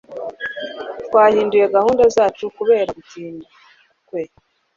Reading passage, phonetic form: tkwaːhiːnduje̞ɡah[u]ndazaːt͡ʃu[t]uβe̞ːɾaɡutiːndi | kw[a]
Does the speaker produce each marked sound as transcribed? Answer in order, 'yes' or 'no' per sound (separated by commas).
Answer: no, no, no